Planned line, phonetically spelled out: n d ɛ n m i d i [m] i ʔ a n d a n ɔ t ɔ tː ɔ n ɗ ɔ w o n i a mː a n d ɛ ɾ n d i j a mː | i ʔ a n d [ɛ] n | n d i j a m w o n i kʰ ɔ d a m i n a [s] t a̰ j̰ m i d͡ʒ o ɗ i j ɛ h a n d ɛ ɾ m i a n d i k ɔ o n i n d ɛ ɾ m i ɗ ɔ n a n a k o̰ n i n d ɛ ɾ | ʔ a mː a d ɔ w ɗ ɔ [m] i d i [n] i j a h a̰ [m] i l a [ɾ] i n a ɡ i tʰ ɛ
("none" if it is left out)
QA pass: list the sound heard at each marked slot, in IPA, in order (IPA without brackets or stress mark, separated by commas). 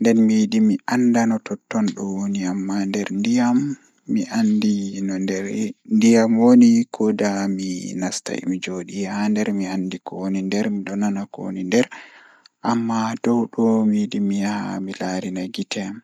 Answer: m, i, s, m, m, m, ɾ